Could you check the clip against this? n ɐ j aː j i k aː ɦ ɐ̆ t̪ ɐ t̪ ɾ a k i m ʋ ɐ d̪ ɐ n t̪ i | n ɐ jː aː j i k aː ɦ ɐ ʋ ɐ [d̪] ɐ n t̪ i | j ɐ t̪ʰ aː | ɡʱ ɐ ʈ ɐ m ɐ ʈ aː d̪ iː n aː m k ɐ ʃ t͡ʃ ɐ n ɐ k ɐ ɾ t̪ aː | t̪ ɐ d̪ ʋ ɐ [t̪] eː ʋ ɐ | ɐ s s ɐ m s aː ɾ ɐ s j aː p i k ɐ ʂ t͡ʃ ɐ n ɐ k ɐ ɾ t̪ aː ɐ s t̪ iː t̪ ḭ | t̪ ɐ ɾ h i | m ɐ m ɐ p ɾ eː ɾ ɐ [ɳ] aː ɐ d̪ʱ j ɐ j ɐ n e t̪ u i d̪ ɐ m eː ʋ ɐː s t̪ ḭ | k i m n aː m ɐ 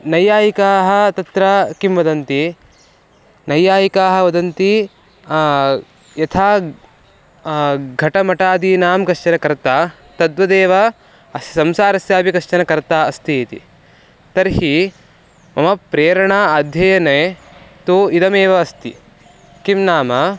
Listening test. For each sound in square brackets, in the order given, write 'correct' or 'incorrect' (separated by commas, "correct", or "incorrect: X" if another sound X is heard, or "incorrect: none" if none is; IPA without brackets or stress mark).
correct, incorrect: d̪, correct